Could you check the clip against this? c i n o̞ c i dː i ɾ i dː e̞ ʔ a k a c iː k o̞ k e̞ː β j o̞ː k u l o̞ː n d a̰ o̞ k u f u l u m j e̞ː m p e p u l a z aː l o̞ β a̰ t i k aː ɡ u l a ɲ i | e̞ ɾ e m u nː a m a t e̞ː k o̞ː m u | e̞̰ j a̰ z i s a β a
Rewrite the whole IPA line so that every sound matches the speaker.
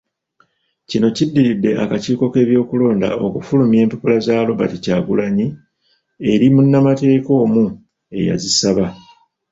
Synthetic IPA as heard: c i n o̞ c i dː i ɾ i dː e̞ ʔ a k a c iː k o̞ k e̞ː β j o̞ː k u l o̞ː n d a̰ o̞ k u f u l u m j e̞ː m p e p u l a z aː l o̞ β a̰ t i c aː ɡ u l a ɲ i | e̞ ɾ i m u nː a m a t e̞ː k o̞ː m u | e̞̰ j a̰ z i s a β a